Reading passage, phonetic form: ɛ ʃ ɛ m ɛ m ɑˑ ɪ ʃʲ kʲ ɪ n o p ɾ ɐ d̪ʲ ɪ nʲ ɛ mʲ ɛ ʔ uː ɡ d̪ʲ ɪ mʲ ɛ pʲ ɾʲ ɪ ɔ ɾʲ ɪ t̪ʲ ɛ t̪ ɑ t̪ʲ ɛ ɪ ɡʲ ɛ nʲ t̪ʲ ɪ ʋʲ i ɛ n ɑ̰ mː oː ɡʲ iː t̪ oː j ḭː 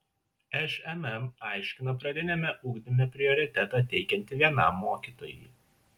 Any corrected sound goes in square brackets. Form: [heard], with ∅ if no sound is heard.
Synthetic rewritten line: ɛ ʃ ɛ m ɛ m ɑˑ ɪ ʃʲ kʲ ɪ n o p ɾ ɐ d̪ʲ ɪ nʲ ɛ mʲ ɛ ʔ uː ɡ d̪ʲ ɪ mʲ ɛ pʲ ɾʲ ɪ ɔ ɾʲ ɪ t̪ʲ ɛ t̪ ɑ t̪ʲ ɛ ɪ [kʲ] ɛ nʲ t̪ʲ ɪ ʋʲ i ɛ n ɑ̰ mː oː [kʲ] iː t̪ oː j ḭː